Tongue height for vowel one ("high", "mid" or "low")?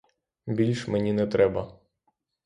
high